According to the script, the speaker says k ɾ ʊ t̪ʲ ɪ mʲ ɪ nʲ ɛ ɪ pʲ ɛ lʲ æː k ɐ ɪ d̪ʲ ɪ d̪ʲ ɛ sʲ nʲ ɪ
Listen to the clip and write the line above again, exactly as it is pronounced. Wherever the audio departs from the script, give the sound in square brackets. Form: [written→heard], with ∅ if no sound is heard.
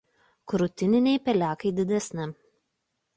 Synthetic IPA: k ɾ ʊ t̪ʲ ɪ [mʲ→nʲ] ɪ nʲ ɛ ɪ pʲ ɛ lʲ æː k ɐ ɪ d̪ʲ ɪ d̪ʲ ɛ sʲ nʲ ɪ